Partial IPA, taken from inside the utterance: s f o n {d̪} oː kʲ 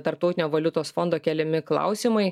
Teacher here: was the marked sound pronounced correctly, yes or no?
yes